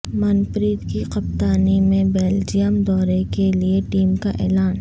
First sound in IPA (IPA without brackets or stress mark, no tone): m